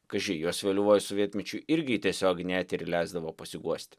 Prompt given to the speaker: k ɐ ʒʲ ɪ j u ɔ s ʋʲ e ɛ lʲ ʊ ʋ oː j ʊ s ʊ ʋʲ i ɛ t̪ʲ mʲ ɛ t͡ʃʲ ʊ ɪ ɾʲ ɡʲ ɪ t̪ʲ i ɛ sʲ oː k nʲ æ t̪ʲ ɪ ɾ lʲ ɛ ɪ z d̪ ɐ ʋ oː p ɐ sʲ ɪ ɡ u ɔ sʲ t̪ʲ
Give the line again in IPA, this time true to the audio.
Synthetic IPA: k ɐ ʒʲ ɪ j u ɔ s ʋʲ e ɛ lʲ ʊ ʋ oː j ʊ s ʊ ʋʲ i ɛ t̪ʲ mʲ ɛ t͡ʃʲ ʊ ɪ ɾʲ ɡʲ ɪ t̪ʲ i ɛ sʲ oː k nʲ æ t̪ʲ ɪ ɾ lʲ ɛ ɪ z d̪ ɐ ʋ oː p ɐ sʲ ɪ ɡ u ɔ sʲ t̪ʲ